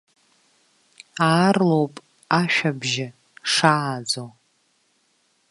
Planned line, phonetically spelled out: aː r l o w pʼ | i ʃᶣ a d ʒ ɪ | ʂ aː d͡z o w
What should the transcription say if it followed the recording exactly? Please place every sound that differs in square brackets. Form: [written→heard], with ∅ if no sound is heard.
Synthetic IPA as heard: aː r l o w pʼ | [i→a] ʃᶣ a [d→b] ʒ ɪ | ʂ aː d͡z o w